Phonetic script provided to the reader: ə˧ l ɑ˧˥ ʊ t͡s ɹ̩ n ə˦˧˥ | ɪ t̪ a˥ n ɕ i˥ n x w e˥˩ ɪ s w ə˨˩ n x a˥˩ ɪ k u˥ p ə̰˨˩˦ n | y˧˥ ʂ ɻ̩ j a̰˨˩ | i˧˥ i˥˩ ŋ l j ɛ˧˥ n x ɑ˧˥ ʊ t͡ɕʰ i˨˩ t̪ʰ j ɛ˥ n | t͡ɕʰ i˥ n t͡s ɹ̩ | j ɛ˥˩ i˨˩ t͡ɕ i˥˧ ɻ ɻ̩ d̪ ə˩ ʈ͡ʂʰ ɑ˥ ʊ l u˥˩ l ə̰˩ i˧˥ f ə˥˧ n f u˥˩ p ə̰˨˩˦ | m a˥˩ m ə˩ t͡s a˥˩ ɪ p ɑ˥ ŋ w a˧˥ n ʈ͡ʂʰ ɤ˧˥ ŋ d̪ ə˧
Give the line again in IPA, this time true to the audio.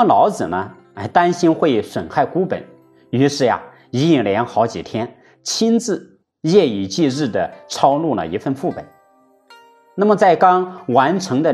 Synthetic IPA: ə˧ l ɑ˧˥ ʊ t͡s ɹ̩ n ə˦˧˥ | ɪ t̪ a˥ n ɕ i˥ n x w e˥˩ ɪ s w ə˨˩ n x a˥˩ ɪ k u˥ p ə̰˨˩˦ n | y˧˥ ʂ ɻ̩ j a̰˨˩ | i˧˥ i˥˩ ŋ l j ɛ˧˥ n x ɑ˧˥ ʊ t͡ɕ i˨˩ t̪ʰ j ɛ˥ n | t͡ɕʰ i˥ n t͡s ɹ̩ | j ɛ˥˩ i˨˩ t͡ɕ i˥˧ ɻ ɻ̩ d̪ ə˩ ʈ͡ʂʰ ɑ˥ ʊ l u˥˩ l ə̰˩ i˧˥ f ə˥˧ n f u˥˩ p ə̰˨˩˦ | n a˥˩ m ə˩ t͡s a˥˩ ɪ k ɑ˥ ŋ w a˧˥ n ʈ͡ʂʰ ɤ˧˥ ŋ d̪ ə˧